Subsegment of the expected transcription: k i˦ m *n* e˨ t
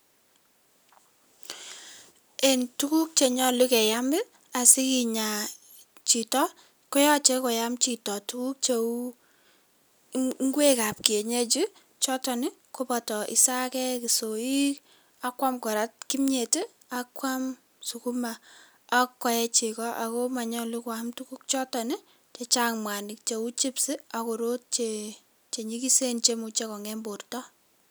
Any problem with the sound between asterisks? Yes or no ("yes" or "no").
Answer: yes